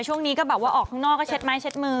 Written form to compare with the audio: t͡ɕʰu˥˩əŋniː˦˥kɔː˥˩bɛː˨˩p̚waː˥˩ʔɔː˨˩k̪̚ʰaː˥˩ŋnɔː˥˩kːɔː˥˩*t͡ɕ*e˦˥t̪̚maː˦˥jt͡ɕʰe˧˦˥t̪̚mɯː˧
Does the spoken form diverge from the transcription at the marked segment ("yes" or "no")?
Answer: yes